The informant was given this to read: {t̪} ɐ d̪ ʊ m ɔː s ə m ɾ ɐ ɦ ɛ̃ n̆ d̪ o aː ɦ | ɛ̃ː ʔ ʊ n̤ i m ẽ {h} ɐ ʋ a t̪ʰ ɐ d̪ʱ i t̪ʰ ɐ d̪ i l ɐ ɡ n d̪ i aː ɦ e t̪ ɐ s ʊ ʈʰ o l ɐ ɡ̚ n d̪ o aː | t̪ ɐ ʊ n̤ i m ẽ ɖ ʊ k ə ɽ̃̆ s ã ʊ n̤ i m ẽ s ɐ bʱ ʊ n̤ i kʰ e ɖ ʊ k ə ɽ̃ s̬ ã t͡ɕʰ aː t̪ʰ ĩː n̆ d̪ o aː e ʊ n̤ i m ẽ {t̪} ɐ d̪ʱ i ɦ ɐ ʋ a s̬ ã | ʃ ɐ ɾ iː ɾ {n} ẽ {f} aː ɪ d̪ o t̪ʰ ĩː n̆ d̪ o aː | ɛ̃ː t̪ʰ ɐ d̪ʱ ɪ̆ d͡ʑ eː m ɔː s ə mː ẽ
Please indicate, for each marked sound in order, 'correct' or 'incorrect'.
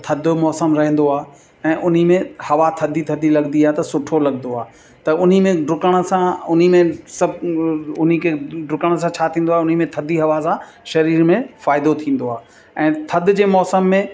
incorrect: t̪ʰ, correct, incorrect: t̪ʰ, incorrect: m, correct

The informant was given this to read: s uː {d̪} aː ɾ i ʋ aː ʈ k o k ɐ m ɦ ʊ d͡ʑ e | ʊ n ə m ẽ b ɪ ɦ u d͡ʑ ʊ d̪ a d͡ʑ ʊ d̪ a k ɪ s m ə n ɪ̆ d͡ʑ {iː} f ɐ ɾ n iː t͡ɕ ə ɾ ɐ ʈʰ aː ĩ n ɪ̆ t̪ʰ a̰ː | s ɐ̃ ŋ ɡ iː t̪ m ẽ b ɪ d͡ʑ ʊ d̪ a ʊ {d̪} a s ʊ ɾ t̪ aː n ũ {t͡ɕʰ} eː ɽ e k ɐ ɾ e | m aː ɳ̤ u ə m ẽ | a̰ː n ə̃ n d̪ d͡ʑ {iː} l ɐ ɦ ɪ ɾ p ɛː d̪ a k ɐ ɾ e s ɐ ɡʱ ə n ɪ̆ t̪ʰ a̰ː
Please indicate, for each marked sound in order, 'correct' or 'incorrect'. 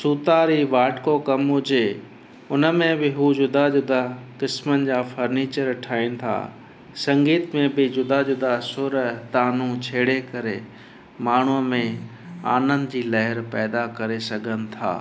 incorrect: t̪, incorrect: aː, correct, correct, correct

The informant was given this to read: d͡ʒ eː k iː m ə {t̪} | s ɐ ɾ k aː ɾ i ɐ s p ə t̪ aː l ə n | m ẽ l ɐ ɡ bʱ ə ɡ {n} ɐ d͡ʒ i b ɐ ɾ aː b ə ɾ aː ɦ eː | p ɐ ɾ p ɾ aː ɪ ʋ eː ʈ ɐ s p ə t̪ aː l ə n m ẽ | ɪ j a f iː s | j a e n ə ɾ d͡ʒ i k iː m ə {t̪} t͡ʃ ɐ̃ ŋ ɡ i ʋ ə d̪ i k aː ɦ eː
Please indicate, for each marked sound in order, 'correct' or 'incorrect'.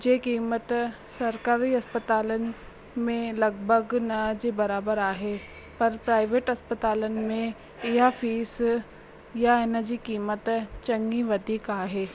correct, correct, correct

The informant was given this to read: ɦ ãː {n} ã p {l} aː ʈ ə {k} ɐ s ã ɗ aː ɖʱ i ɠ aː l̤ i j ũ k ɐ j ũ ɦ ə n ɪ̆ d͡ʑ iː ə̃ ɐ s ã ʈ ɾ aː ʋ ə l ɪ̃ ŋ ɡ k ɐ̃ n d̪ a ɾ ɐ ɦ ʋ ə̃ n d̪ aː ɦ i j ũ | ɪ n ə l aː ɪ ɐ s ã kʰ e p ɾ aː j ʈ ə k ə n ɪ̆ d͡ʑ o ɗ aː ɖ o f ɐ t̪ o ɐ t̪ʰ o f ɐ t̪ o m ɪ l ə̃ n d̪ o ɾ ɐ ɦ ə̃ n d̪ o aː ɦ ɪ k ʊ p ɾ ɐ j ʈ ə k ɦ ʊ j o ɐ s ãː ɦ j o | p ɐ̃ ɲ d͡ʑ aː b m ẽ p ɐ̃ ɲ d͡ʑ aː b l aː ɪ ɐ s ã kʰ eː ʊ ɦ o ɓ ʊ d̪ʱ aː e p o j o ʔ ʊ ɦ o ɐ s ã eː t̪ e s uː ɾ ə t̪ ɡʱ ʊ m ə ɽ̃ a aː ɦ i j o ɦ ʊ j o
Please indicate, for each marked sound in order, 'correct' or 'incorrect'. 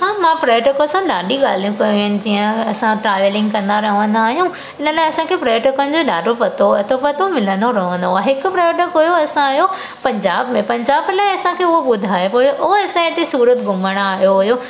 incorrect: m, incorrect: ɾ, correct

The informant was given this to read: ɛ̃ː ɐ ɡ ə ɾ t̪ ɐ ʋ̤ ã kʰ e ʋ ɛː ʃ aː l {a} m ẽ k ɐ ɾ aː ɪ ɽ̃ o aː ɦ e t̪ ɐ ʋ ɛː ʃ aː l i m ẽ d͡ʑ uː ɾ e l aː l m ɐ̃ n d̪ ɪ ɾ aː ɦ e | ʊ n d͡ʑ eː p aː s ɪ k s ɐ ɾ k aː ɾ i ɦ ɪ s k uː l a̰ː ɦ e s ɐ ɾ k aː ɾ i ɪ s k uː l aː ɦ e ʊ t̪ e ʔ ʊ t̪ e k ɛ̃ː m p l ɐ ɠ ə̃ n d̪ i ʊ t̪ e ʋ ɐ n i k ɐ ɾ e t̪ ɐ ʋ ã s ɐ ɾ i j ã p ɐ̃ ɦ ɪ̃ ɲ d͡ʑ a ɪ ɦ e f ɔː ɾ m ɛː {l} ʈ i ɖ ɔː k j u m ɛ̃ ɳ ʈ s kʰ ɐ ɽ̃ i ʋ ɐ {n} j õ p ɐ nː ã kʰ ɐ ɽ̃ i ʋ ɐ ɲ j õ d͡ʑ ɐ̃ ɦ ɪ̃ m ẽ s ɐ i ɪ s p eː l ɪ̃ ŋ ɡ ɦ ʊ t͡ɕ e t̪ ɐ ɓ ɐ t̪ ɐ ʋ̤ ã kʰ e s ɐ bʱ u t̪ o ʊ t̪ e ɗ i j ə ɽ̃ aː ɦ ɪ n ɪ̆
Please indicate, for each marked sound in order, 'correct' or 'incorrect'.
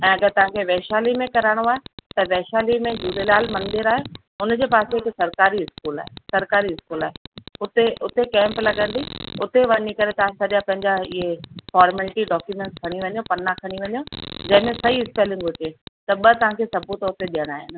incorrect: i, correct, incorrect: ɲ

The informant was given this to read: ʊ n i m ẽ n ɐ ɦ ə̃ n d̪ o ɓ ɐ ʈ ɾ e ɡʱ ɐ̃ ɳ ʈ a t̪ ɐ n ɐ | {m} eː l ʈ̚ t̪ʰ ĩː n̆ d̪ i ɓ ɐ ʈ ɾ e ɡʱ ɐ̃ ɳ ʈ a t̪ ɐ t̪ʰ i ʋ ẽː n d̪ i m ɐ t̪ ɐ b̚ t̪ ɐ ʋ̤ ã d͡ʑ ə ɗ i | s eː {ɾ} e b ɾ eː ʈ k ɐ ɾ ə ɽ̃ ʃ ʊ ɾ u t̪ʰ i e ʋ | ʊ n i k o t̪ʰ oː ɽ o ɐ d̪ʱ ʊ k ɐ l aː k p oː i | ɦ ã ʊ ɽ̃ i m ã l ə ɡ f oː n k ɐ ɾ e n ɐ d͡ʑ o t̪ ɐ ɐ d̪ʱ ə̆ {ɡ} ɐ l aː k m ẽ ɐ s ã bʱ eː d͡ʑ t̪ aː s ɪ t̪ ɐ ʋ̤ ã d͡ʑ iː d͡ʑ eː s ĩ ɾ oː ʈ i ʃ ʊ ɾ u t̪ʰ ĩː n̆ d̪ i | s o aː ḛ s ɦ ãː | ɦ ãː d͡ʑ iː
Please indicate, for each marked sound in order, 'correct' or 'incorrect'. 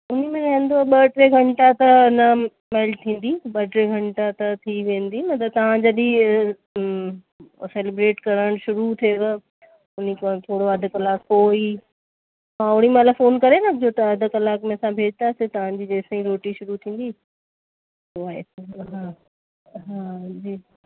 correct, incorrect: l, incorrect: k

